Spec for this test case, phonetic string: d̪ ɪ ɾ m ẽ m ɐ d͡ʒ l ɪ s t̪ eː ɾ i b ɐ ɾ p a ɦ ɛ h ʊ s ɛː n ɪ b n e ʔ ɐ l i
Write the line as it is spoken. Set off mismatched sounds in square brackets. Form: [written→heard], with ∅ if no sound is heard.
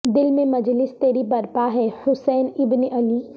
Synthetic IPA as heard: d̪ ɪ [ɾ→l] m ẽ m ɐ d͡ʒ l ɪ s t̪ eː ɾ i b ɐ ɾ p a ɦ ɛ h ʊ s ɛː n ɪ b n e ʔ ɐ l i

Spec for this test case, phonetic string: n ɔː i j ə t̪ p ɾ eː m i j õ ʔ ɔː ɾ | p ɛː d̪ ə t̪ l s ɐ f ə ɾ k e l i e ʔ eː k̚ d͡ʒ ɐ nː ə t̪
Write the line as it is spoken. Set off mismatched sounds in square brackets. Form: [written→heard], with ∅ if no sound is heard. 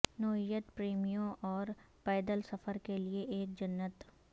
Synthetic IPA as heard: n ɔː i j ə t̪ p ɾ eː m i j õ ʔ ɔː ɾ | p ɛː d̪ ə [t̪→∅] l s ɐ f ə ɾ k e l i e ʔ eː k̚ d͡ʒ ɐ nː ə t̪

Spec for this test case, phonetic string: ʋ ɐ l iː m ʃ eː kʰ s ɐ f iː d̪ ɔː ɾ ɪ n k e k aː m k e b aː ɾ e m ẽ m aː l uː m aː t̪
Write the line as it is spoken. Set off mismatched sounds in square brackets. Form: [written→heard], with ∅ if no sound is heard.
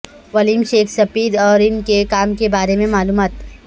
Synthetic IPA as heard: ʋ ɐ l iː m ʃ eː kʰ s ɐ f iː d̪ ɔː ɾ ɪ n k e k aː m k e b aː ɾ e m ẽ m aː l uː m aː t̪

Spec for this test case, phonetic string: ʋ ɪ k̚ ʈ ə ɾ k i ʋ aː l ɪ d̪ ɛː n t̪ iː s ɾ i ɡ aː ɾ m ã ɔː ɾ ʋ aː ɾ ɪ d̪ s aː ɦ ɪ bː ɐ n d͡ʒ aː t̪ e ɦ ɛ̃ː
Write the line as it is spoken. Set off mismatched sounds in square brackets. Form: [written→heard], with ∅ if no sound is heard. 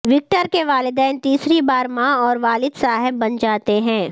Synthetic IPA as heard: ʋ ɪ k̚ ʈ ə ɾ k [i→e] ʋ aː l ɪ d̪ ɛː n t̪ iː s ɾ i [ɡ→b] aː ɾ m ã ɔː ɾ ʋ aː [ɾ→l] ɪ d̪ s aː ɦ ɪ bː ɐ n d͡ʒ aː t̪ e ɦ ɛ̃ː

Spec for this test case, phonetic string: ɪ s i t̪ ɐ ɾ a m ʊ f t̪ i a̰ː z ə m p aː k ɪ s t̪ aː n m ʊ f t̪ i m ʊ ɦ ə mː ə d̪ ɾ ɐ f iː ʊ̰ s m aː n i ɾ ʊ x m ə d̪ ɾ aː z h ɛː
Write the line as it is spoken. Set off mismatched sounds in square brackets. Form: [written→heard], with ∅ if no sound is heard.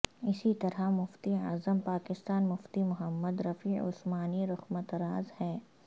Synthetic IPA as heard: ɪ s i t̪ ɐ ɾ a m ʊ f t̪ i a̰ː z ə m p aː k ɪ s t̪ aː n m ʊ f t̪ i m ʊ ɦ ə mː ə d̪ ɾ ɐ f iː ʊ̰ s m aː n i ɾ ʊ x m ə [d̪→t̪] ɾ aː z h ɛː

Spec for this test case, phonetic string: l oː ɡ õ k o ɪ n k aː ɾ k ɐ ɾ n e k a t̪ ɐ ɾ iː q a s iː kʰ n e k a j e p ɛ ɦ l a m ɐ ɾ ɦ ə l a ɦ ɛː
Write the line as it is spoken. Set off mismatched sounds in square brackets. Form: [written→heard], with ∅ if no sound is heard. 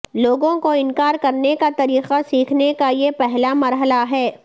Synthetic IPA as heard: l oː ɡ õ k o ɪ n k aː ɾ k ɐ ɾ n e k a t̪ ɐ ɾ iː q a s iː kʰ n e k a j e p ɛ ɦ l a m ɐ ɾ ɦ ə l a ɦ ɛː

